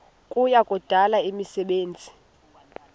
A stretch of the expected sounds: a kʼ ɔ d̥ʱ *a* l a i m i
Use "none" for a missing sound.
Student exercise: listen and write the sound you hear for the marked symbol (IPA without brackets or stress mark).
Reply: a